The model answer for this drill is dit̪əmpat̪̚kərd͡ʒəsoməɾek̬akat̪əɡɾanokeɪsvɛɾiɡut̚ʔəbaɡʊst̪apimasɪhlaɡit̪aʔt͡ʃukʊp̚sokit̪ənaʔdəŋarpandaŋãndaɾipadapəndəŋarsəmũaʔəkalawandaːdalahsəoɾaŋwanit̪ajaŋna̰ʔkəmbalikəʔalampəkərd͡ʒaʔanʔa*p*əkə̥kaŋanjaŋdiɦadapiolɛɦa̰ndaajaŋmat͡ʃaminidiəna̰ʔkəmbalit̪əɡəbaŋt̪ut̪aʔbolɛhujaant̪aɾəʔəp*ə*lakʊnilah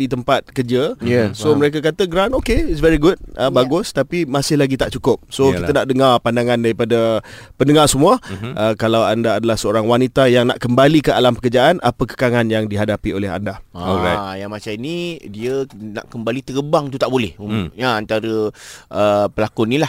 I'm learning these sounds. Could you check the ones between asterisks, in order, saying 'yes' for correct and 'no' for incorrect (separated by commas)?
yes, yes